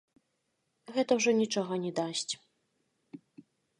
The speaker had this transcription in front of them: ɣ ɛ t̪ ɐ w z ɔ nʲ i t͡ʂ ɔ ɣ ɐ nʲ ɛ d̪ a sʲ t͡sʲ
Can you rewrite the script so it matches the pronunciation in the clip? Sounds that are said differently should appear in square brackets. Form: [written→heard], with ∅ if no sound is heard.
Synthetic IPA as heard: ɣ ɛ t̪ ɐ w [z→ʐ] ɔ nʲ i t͡ʂ ɔ ɣ ɐ nʲ ɛ d̪ a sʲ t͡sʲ